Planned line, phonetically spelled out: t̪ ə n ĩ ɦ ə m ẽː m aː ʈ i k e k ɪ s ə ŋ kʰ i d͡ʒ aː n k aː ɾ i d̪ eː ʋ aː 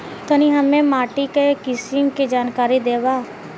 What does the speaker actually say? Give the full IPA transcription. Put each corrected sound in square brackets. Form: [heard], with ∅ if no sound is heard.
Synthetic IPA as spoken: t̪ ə n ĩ ɦ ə m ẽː m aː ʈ i k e k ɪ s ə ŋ [k] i d͡ʒ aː n k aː ɾ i d̪ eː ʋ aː